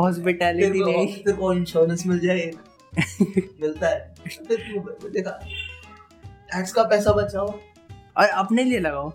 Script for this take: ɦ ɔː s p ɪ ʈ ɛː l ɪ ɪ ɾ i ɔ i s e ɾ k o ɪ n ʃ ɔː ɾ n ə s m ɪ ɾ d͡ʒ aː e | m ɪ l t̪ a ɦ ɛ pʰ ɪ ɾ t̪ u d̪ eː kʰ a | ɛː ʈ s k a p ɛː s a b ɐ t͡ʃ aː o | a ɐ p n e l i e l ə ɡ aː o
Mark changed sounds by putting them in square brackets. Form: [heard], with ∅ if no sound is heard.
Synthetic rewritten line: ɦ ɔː s p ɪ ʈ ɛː l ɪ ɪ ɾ i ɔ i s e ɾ k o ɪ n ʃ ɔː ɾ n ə s m ɪ [l] d͡ʒ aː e | m ɪ l t̪ a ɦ ɛ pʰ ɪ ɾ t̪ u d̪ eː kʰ a | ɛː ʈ s k a p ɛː s a b ɐ t͡ʃ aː o | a ɐ p n e l i e l [ɐ] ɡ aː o